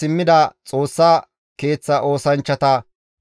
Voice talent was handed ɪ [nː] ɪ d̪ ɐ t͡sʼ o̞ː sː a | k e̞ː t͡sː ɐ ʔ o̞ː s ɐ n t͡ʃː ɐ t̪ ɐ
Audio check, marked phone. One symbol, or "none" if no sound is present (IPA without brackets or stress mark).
mː